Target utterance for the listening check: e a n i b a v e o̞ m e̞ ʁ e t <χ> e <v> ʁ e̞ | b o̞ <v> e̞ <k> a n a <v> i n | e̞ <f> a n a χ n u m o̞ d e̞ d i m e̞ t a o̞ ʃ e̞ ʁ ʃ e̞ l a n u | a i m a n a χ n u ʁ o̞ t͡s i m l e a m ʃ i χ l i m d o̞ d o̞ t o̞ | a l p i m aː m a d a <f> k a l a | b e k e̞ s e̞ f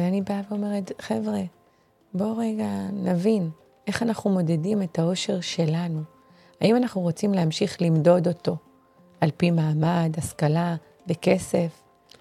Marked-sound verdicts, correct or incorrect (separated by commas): correct, correct, incorrect, incorrect, correct, incorrect, incorrect